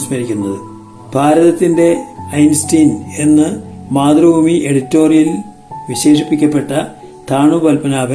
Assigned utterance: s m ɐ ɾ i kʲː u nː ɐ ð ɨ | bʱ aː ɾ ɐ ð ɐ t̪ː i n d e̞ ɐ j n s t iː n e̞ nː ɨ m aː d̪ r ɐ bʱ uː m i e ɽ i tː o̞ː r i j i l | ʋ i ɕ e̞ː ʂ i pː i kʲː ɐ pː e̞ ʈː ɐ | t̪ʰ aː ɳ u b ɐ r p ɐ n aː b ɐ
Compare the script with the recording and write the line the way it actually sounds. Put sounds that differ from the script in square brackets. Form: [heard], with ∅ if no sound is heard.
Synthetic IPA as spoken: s m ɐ ɾ i kʲː u nː ɐ ð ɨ | bʱ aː ɾ ɐ ð ɐ t̪ː i n d e̞ ɐ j n s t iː n e̞ nː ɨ m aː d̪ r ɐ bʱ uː m i e ɽ i tː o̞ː r i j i l | ʋ i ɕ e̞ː ʂ i pː i kʲː ɐ pː e̞ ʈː ɐ | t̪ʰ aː ɳ u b ɐ [l] p ɐ n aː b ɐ